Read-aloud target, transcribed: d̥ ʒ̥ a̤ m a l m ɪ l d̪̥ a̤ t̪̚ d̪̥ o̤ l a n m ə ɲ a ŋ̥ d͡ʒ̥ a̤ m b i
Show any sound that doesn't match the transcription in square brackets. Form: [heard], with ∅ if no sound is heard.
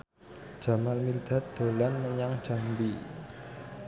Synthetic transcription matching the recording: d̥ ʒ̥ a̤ m a l m [i] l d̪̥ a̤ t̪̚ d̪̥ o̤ l a n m ə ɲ a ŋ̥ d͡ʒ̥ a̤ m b i